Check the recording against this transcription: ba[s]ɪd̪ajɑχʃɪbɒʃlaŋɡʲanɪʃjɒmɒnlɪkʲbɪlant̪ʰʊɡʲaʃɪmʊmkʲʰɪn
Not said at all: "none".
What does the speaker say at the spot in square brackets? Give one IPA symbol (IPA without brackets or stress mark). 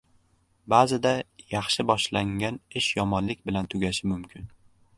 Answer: z